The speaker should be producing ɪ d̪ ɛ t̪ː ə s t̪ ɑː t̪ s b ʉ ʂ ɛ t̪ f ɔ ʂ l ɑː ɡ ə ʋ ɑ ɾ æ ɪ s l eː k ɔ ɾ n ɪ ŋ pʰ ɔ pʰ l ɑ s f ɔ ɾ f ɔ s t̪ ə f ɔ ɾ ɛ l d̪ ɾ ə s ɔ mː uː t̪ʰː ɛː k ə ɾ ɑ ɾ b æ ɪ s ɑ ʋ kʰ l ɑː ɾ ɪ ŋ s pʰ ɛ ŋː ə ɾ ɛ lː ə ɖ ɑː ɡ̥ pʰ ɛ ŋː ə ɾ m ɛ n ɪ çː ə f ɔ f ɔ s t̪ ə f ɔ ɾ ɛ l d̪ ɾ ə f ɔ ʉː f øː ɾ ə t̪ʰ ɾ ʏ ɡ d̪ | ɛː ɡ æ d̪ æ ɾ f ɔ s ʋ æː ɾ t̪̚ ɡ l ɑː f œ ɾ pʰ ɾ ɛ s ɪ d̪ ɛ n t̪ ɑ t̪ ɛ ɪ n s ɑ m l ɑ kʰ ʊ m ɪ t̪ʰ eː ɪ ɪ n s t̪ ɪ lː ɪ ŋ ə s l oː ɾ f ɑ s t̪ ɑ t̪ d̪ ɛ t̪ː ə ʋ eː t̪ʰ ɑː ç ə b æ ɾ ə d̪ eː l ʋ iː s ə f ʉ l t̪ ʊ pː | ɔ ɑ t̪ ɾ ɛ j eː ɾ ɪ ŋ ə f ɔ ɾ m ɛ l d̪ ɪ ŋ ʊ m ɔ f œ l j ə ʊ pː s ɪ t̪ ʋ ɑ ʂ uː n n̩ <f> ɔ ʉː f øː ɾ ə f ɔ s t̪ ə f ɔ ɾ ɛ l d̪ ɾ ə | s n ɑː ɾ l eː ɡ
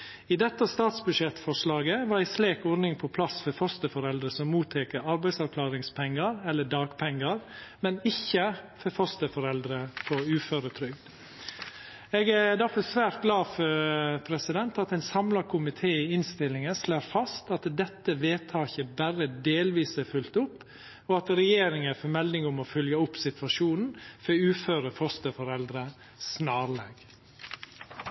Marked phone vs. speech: correct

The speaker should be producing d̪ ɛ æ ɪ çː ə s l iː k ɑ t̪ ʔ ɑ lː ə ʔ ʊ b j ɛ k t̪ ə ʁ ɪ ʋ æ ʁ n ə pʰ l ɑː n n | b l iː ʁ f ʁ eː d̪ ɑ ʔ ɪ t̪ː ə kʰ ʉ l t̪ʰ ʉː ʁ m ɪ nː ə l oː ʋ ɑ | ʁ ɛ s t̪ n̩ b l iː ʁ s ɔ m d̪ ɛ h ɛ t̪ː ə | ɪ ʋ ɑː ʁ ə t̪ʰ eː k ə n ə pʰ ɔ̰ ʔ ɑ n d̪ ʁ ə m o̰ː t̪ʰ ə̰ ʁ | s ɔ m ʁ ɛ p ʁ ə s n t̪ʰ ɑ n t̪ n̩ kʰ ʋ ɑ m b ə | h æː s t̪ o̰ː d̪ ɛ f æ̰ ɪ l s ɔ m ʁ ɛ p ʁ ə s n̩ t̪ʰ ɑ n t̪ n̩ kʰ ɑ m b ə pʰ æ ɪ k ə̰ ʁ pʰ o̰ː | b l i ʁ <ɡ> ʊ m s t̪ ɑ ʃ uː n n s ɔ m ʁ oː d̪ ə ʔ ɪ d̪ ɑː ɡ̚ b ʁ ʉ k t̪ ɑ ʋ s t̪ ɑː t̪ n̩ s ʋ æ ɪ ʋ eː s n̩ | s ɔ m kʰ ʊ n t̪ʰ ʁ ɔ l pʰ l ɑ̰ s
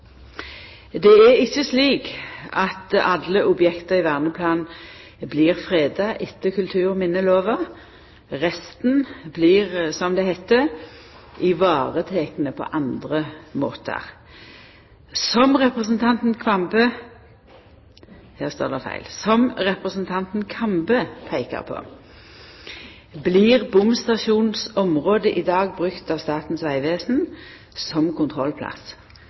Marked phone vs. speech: incorrect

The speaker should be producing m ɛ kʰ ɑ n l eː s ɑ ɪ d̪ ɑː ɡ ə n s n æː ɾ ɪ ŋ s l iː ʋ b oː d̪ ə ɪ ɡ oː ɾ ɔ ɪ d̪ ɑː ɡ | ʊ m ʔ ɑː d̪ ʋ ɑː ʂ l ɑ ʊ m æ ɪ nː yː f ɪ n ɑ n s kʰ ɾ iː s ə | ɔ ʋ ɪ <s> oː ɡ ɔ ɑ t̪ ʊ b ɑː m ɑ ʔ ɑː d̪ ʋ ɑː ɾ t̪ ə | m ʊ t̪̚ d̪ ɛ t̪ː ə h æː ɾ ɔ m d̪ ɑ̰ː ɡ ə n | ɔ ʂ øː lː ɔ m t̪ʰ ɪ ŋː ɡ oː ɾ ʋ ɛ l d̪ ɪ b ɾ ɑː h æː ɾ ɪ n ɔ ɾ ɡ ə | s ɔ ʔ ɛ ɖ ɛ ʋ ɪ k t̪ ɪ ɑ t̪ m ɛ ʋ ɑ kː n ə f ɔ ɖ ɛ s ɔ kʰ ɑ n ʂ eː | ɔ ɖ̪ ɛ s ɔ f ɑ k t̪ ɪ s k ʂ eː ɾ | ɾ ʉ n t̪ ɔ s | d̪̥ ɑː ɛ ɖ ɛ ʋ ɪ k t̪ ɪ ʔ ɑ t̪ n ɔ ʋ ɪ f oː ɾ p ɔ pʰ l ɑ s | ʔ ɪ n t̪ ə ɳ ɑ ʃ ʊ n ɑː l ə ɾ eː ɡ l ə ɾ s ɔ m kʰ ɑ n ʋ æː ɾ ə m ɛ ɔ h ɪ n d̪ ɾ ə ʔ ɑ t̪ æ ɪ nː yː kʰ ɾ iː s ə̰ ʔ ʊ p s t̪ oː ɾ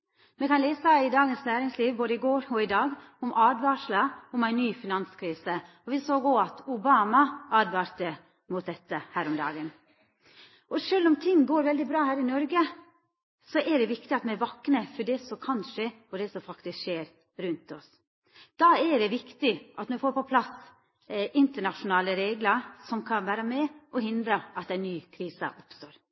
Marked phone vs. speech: correct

